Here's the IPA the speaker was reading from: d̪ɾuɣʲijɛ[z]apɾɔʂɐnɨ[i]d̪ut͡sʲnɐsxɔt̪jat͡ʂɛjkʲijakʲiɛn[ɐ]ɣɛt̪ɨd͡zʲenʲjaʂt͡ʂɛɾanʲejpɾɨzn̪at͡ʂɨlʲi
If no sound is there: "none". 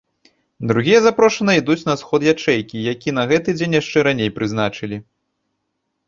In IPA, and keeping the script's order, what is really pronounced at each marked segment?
z, i, ɐ

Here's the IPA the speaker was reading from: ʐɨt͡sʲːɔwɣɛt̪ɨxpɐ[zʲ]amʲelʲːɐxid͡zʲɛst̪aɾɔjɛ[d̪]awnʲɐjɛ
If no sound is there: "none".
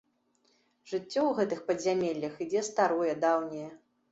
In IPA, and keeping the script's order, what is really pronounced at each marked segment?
zʲ, d̪

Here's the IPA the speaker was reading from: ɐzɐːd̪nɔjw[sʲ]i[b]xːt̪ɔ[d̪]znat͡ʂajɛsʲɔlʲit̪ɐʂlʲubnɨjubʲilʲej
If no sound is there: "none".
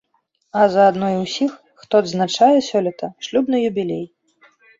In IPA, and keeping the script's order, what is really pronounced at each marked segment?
sʲ, none, d̪

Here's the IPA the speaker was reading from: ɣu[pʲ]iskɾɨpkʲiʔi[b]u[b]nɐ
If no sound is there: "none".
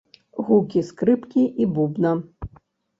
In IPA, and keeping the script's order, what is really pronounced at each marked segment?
kʲ, b, b

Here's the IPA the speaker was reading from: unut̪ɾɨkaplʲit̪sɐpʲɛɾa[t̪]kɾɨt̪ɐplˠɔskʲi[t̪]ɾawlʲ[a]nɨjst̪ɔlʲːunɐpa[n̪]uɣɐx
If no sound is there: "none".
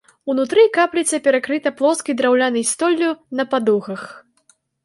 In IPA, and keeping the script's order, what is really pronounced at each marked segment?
none, d̪, a, d̪

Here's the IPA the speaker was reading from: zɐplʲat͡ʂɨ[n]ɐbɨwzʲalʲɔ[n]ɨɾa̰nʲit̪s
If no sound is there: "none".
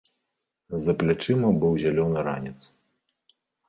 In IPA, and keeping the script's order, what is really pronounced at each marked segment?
m, n

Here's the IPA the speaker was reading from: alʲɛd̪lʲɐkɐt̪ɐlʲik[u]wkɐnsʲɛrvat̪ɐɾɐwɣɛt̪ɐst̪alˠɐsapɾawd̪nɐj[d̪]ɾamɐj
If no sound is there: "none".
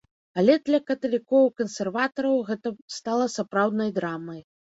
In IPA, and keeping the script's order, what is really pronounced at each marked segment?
ɔ, d̪

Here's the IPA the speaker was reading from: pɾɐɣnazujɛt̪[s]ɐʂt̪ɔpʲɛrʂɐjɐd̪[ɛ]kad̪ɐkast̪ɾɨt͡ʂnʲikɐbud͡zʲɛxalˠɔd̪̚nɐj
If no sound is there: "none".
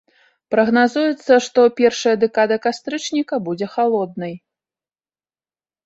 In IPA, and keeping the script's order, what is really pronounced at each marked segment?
sː, ɛ

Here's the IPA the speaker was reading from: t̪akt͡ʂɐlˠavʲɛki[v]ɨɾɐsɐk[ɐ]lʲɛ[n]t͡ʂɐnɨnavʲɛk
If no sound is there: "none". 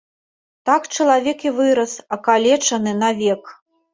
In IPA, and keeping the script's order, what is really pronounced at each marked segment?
v, a, none

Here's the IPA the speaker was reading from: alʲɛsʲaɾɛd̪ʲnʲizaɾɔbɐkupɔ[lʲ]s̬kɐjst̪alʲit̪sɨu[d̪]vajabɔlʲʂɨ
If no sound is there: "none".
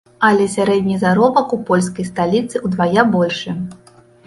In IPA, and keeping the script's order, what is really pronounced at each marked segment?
lʲ, d̪

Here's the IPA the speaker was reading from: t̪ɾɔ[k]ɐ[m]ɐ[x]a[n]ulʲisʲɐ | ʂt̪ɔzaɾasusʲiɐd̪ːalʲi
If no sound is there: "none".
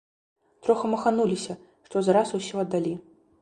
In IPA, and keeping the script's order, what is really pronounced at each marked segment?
x, m, x, n

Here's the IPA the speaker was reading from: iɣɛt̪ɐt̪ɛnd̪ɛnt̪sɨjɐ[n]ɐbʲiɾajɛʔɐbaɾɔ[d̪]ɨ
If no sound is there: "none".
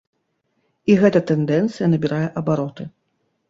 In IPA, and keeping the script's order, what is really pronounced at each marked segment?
n, t̪

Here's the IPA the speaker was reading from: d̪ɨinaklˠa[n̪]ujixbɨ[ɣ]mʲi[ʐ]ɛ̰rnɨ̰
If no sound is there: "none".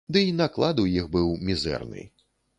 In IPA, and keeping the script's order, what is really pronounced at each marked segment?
d̪, w, z

